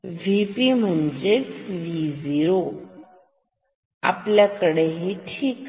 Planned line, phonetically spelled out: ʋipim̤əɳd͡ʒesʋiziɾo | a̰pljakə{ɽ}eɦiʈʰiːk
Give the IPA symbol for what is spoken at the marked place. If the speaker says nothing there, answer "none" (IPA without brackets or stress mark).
ɽ